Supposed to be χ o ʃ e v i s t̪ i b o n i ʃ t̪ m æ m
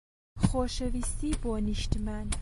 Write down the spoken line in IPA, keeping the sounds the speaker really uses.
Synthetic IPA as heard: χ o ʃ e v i s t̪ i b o n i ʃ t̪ m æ n